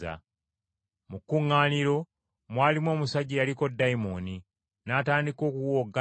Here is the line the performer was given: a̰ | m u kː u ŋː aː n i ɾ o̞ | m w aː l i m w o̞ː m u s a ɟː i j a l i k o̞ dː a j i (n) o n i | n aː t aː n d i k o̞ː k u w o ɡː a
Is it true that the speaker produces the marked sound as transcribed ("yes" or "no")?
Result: no